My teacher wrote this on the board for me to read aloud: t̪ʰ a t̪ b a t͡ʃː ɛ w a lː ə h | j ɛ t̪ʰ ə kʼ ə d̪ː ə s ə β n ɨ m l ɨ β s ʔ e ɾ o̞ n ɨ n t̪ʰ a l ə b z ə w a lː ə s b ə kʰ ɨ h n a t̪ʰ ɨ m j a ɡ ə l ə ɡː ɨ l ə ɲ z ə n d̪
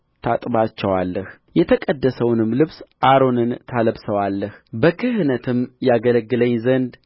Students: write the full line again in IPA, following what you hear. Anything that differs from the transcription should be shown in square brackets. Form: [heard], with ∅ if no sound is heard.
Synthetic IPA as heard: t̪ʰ a [t̪ʼ] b a t͡ʃː ɛ w a lː ə h | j ɛ t̪ʰ ə kʼ ə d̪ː ə s ə [w] n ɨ m l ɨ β s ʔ [a] ɾ o̞ n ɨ n t̪ʰ a l ə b [s] ə w a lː ə [h] b ə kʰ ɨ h n [ə] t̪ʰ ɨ m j a ɡ ə l ə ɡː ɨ l ə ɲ z ə n d̪